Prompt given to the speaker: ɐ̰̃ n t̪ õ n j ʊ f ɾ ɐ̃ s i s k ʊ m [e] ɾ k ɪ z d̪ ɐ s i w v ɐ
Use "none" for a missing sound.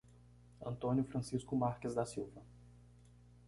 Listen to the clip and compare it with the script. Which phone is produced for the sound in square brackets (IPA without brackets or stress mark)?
a